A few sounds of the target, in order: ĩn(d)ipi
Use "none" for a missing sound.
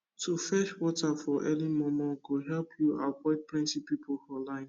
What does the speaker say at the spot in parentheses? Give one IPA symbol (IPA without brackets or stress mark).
t